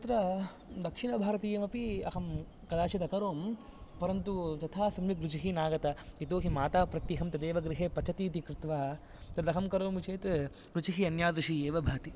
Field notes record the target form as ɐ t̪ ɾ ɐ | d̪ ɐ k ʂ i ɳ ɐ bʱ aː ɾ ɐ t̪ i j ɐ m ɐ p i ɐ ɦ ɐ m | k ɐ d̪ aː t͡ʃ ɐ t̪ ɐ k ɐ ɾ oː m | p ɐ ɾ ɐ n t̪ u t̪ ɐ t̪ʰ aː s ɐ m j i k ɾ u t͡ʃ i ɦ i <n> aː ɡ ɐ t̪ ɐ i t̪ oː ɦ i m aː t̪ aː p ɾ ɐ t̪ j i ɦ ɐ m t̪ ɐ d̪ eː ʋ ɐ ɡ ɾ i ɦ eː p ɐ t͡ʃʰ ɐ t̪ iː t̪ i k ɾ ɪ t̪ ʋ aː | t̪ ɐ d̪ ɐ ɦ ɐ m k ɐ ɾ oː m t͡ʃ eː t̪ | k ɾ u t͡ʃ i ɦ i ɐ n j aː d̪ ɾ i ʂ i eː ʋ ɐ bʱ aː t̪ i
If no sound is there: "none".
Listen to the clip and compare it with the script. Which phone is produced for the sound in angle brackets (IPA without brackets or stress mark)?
n